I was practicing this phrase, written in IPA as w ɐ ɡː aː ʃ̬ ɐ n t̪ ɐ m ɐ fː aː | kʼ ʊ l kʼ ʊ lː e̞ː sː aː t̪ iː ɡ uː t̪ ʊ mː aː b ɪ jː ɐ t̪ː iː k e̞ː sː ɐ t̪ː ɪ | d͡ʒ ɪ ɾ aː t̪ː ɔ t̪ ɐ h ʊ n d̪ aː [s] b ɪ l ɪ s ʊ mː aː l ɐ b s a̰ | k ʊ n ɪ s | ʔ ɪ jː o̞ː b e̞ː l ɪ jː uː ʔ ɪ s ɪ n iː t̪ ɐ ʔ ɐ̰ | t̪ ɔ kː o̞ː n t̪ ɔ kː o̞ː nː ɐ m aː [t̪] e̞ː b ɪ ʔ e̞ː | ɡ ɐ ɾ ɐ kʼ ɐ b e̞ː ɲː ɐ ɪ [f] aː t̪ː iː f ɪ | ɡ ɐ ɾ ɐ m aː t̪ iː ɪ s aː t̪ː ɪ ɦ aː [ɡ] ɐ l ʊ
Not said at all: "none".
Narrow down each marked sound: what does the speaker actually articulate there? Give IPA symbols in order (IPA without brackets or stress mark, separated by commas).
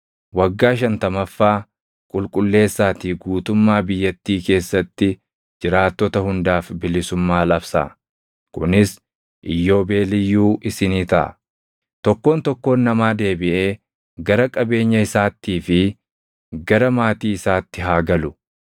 f, d̪, s, ɡ